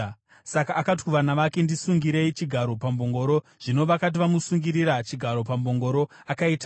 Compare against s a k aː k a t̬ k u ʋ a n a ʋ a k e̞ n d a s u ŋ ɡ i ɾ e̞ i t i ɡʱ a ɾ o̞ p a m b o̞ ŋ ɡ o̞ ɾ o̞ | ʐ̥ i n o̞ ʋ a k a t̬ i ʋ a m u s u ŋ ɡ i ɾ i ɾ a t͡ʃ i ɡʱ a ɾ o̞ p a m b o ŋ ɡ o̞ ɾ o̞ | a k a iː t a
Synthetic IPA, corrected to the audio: s a k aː k a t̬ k u ʋ a n a ʋ a k e̞ n d i s u ŋ ɡ i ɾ e̞ i t͡ʃ i ɡʱ a ɾ o̞ p a m b o̞ ŋ ɡ o̞ ɾ o̞ | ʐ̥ i n o̞ ʋ a k a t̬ i ʋ a m u s u ŋ ɡ i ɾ i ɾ a t͡ʃ i ɡʱ a ɾ o̞ p a m b o ŋ ɡ o̞ ɾ o̞ | a k a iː t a